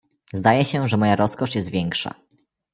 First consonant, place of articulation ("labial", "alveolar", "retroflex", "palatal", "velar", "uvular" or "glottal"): alveolar